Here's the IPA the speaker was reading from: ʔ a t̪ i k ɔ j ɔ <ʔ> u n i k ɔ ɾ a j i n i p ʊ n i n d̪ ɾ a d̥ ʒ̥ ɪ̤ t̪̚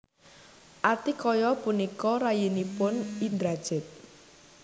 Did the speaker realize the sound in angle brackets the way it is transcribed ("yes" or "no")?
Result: no